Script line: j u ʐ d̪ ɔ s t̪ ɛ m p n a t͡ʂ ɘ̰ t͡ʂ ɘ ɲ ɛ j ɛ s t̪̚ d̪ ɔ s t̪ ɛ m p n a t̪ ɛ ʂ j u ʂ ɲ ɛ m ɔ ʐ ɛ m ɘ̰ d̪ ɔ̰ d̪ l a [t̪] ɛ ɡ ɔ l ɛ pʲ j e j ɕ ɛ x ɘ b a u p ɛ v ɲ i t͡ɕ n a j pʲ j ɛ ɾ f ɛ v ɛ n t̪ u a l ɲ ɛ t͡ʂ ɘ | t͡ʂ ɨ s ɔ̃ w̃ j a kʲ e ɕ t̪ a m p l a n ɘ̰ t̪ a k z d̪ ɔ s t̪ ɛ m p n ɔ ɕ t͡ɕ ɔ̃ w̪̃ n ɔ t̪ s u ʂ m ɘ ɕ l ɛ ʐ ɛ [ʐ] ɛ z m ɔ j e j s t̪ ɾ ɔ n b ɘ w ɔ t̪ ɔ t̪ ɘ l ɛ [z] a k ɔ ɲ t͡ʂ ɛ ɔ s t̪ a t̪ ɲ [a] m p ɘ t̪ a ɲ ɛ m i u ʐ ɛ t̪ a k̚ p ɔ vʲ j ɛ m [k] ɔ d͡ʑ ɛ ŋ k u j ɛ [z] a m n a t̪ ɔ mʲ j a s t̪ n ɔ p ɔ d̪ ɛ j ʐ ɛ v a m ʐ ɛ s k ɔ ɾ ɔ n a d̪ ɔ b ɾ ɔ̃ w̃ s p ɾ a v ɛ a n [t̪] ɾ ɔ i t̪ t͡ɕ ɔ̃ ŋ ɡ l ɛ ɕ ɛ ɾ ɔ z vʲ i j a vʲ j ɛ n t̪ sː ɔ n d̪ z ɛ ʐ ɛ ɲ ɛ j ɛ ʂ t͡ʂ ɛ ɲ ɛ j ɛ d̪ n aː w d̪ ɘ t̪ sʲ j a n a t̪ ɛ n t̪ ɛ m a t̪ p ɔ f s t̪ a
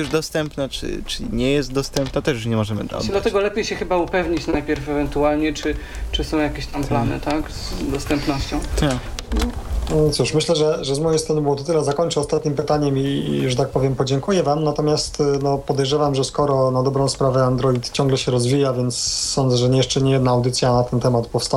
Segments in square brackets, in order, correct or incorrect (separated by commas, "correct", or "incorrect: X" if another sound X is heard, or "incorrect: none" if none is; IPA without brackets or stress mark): correct, correct, correct, incorrect: i, incorrect: p, incorrect: v, incorrect: d̪